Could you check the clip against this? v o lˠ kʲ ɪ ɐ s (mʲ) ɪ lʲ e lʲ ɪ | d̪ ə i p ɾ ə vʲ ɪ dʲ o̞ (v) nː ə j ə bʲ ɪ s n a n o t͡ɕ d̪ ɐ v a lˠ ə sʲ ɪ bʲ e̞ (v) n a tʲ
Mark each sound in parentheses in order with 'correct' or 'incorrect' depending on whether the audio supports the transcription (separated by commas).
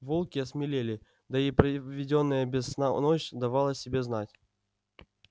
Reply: correct, incorrect, incorrect